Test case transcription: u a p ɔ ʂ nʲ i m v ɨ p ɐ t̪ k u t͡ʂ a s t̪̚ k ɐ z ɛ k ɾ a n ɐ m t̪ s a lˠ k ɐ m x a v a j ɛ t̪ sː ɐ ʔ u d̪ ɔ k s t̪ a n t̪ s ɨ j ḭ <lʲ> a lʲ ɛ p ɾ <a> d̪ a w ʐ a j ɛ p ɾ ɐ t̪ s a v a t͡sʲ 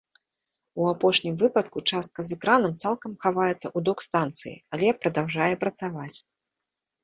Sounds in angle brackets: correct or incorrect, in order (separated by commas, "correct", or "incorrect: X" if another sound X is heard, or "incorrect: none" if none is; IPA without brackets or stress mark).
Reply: incorrect: none, incorrect: ɐ